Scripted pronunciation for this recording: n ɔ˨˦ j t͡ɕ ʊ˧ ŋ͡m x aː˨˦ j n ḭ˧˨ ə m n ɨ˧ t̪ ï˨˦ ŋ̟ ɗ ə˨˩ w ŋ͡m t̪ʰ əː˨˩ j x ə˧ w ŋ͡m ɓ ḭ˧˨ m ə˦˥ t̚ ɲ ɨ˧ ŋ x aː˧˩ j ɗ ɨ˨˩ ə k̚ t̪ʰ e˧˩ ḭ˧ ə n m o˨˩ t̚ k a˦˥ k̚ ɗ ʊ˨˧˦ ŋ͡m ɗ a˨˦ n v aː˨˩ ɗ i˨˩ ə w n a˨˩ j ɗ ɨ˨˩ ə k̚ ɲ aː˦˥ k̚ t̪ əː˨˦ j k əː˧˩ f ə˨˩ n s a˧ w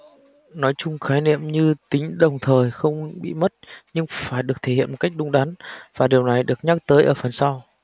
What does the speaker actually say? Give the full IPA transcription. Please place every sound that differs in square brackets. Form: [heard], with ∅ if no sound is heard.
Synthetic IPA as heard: n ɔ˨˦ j t͡ɕ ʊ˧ ŋ͡m x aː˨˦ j n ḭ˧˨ ə m [ɲ] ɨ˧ t̪ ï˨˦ ŋ̟ ɗ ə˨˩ w ŋ͡m t̪ʰ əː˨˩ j x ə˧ w ŋ͡m ɓ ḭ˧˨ m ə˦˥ t̚ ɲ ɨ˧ ŋ [f] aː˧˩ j ɗ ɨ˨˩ ə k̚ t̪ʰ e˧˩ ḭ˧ ə n m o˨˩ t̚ k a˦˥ k̚ ɗ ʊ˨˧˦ ŋ͡m ɗ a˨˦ n v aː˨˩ ɗ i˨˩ ə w n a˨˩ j ɗ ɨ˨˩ ə k̚ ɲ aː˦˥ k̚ t̪ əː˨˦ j [ʔ] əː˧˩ f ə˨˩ n s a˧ w